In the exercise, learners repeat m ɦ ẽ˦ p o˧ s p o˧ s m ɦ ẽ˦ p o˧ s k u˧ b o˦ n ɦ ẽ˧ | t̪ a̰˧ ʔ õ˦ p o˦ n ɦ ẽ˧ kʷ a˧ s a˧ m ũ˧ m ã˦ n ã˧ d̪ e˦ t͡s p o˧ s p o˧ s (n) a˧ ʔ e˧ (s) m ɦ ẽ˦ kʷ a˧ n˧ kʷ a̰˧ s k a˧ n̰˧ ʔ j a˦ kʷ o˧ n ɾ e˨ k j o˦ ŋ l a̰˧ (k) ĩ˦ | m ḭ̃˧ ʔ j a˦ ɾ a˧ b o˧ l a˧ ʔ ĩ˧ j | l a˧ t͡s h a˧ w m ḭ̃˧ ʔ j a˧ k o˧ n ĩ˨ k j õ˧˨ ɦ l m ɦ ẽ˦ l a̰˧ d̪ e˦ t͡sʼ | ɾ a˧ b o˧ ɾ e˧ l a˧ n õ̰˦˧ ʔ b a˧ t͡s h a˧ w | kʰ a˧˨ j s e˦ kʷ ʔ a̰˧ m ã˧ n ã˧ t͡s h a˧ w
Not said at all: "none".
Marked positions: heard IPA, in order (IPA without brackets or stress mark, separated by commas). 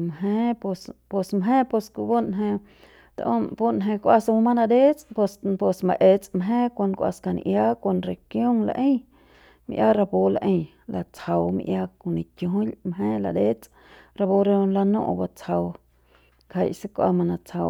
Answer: m, t͡s, ʔ